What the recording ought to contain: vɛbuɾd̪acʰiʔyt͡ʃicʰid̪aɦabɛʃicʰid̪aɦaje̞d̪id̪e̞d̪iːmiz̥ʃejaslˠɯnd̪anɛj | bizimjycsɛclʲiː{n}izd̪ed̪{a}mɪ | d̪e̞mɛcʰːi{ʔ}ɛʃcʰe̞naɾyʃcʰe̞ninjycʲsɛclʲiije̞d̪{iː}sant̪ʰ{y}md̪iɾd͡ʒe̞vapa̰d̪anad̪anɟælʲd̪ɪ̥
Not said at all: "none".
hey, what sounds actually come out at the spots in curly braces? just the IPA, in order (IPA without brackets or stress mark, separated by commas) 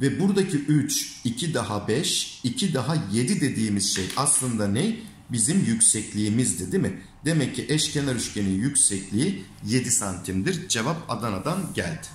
m, i, ʔ, i, i